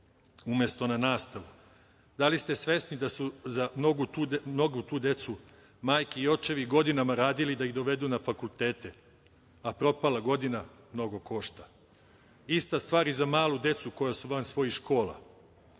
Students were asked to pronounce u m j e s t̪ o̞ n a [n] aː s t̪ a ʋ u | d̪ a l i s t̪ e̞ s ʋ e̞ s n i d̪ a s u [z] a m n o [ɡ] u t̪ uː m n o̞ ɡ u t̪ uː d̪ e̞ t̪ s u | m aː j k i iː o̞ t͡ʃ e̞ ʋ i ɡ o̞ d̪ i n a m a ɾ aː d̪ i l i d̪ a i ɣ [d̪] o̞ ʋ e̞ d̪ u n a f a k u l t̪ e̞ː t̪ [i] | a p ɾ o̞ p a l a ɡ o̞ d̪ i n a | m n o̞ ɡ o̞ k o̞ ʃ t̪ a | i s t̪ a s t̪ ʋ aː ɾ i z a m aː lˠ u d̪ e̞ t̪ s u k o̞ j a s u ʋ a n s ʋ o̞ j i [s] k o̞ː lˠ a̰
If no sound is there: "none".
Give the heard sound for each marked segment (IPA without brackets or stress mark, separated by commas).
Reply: n, z, ɡ, d̪, e, ʃ